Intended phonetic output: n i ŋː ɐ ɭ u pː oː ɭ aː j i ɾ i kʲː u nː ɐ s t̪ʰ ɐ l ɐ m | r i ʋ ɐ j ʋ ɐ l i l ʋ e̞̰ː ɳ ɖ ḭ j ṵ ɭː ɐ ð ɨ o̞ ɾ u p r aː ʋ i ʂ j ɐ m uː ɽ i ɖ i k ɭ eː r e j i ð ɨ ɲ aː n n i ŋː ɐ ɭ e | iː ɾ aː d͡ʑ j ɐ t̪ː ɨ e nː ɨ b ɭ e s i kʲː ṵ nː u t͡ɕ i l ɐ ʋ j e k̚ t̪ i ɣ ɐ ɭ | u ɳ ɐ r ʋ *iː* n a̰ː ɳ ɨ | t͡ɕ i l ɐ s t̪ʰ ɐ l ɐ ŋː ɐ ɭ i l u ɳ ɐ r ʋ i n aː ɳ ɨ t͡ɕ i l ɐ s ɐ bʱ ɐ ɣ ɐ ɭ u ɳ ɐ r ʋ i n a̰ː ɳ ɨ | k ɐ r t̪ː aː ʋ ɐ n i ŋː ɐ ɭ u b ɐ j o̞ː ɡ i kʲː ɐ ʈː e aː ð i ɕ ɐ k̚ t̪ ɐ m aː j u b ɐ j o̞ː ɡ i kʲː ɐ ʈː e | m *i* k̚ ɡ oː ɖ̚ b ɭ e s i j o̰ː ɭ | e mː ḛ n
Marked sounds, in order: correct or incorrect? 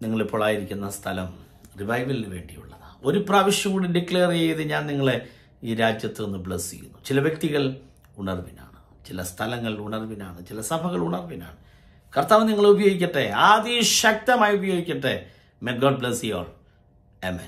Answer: incorrect, incorrect

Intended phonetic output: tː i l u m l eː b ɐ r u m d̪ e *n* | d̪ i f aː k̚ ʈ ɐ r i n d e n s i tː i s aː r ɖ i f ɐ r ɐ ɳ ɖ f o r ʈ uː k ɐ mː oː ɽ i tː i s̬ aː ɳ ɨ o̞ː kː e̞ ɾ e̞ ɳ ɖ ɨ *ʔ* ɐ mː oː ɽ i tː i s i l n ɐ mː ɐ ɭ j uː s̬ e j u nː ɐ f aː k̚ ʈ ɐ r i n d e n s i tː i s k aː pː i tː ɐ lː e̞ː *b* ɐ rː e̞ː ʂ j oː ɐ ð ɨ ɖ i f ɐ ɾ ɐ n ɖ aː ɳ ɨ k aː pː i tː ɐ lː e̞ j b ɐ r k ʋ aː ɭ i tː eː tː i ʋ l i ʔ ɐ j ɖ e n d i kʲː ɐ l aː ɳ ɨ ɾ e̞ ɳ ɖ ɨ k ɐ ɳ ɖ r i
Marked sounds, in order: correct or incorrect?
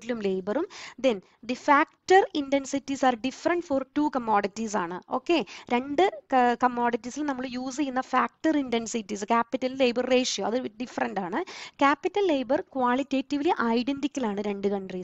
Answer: correct, incorrect, correct

